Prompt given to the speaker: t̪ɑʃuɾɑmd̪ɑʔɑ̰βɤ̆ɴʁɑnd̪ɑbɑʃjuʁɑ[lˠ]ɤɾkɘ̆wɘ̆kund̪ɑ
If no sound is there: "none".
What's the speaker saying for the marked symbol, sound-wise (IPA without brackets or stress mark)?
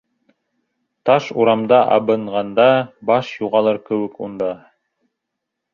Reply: lˠ